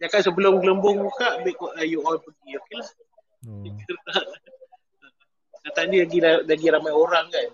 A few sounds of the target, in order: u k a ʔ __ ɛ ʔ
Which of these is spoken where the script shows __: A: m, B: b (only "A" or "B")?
B